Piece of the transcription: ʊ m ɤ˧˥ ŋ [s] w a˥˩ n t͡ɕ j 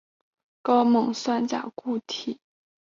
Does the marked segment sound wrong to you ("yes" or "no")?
no